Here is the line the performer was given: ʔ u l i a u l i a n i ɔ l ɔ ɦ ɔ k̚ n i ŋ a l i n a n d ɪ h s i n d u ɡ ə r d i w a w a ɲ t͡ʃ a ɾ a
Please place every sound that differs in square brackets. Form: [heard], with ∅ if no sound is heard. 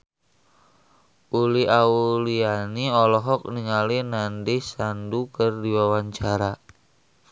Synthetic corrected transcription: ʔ u l i a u l i a n i ɔ l ɔ ɦ ɔ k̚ n i ŋ a l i n a n d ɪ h s [a] n d u [k] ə r d i w a w a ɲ t͡ʃ a ɾ a